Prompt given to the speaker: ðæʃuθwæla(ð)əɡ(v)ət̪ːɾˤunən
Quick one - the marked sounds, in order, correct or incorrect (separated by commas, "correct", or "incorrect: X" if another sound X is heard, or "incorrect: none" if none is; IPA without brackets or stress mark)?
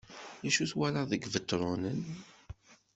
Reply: correct, correct